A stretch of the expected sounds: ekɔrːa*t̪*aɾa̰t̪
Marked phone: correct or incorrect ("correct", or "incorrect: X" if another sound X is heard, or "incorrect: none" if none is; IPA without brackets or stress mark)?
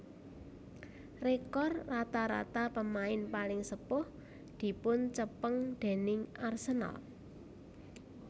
correct